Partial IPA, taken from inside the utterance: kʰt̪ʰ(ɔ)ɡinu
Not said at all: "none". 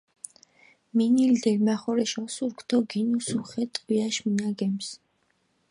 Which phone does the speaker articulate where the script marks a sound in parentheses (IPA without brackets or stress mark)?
ɔ